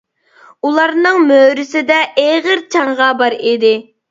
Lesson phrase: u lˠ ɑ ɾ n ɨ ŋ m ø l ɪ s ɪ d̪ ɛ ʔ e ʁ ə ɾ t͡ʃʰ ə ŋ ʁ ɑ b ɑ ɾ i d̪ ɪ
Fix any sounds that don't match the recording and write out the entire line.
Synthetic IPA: u lˠ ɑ ɾ n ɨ ŋ m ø ɾ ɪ s ɪ d̪ ɛ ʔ e ʁ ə ɾ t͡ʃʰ ɑ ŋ ʁ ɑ b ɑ ɾ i d̪ ɪ